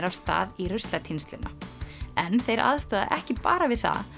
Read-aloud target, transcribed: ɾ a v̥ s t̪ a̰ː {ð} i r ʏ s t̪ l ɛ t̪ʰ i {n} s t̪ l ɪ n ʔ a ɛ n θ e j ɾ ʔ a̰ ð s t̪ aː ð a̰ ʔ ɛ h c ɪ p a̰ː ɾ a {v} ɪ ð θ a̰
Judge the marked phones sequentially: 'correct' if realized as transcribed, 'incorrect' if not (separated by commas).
correct, correct, correct